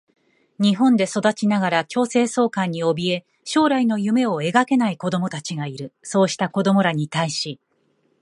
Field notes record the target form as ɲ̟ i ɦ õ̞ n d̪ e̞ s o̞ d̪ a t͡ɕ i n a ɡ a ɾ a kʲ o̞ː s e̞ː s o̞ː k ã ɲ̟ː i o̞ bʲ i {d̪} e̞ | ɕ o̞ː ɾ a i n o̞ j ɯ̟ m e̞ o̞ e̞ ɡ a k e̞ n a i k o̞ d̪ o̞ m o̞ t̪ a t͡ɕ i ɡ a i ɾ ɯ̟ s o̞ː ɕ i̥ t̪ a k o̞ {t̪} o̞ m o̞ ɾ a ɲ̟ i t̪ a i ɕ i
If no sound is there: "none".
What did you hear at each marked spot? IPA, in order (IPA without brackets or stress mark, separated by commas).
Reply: none, d̪